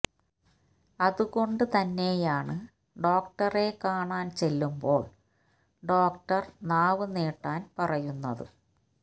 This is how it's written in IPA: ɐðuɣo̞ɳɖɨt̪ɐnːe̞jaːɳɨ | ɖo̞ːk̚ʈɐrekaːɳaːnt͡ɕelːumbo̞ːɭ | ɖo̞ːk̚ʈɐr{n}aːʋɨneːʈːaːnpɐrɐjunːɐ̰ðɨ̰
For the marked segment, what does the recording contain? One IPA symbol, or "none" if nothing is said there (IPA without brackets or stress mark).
n